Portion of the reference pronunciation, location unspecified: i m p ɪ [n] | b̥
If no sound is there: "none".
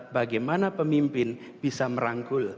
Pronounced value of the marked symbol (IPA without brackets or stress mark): n